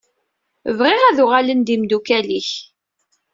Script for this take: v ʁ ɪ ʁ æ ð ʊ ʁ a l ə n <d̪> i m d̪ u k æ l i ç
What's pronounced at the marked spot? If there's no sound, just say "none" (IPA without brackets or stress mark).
d̪